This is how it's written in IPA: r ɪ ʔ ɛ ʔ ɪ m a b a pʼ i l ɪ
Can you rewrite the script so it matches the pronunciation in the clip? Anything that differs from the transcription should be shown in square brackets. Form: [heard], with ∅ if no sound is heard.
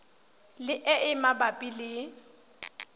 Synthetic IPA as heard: [l] ɪ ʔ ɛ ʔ ɪ m a b a pʼ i l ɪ

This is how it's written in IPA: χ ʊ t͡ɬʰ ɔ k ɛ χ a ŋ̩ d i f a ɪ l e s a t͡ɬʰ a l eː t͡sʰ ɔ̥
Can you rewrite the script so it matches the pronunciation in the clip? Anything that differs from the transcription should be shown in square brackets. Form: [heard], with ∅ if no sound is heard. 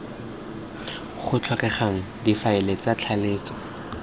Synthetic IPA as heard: χ ʊ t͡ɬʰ ɔ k ɛ χ a ŋ̩ d i f a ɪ l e [t͡s] a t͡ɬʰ a l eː [t͡s] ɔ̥

